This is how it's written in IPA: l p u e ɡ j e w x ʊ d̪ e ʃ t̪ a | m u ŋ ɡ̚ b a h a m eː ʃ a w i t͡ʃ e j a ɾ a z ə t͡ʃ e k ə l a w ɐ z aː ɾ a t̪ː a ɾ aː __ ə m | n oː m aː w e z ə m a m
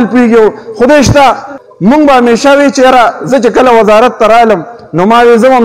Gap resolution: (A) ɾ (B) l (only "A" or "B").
B